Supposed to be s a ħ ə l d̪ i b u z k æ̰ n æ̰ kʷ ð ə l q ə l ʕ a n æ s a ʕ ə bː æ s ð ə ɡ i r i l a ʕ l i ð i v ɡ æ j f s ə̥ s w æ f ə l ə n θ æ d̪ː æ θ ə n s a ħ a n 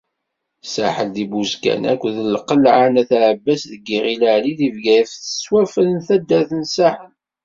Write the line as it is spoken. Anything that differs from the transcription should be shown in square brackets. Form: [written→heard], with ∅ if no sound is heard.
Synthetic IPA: s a ħ ə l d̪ i b u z k æ̰ n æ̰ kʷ ð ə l q ə l ʕ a n æ [s→θ] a ʕ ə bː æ s ð ə ɡ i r i l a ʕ l i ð i v ɡ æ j f [s→θ] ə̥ s w æ f ə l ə n θ æ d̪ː æ θ ə n s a ħ [a→ə] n